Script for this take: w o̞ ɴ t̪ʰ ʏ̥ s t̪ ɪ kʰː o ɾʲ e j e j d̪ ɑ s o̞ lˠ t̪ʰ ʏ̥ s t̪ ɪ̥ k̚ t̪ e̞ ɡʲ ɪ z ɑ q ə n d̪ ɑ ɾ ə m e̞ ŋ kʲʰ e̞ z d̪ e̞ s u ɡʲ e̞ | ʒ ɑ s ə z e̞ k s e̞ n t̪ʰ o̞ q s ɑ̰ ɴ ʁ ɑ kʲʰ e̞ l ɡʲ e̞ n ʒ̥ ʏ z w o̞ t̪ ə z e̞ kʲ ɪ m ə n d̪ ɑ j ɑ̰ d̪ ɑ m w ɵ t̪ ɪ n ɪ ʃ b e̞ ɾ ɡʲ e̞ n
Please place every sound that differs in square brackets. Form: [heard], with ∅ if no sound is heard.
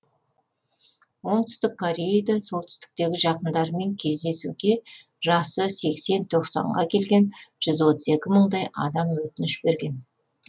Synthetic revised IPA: w o̞ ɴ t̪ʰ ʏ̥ s t̪ ɪ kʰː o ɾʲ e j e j d̪ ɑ s o̞ lˠ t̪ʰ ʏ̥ s t̪ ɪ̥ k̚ t̪ e̞ ɡʲ ɪ [ʒ] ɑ q ə n d̪ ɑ ɾ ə m e̞ ŋ kʲʰ e̞ z d̪ e̞ s u ɡʲ e̞ | ʒ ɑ s ə [s] e̞ k s e̞ n t̪ʰ o̞ q s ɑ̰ ɴ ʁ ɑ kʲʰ e̞ l ɡʲ e̞ n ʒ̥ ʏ z w o̞ t̪ ə z e̞ kʲ ɪ m ə [ɴ] d̪ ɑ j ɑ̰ d̪ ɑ m w ɵ t̪ ɪ n ɪ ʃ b e̞ ɾ ɡʲ e̞ n